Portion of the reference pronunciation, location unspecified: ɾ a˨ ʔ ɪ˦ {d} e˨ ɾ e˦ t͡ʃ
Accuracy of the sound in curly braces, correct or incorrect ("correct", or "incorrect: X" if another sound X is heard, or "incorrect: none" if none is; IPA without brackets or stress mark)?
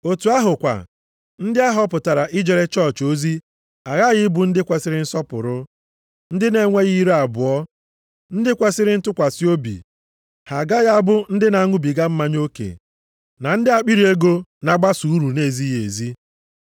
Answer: incorrect: d͡ʒ